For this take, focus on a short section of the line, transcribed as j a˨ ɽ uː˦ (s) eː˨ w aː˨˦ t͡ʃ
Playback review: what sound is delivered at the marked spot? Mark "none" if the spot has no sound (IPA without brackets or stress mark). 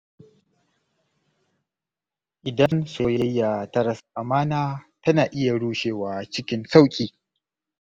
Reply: ʃ